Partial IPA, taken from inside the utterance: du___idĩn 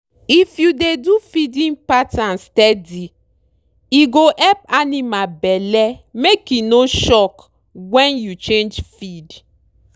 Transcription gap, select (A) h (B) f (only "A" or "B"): B